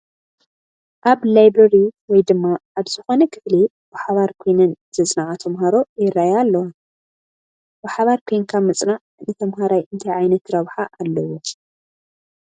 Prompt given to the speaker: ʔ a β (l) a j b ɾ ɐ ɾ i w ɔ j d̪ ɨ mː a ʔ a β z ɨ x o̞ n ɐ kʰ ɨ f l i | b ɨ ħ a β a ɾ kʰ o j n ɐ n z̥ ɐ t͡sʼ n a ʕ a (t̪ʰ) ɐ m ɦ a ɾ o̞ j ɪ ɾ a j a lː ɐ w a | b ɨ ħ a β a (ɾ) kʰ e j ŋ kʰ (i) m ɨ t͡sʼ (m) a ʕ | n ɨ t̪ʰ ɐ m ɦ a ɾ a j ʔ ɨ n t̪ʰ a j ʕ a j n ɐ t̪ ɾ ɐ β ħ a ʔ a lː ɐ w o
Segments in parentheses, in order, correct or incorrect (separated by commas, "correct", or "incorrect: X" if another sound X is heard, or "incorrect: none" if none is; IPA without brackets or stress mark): correct, correct, correct, incorrect: a, incorrect: n